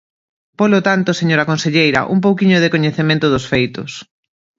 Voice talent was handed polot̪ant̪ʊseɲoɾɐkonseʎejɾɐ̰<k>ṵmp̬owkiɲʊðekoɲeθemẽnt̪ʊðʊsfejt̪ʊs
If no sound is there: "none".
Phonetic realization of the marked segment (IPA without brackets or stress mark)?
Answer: ʔ